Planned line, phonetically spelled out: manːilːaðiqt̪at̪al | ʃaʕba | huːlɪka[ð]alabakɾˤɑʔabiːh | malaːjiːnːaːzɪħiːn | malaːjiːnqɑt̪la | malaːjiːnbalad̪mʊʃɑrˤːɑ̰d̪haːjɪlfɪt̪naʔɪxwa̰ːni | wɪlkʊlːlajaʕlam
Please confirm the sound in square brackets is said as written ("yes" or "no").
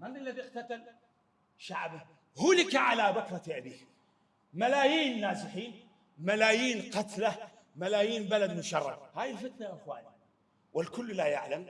no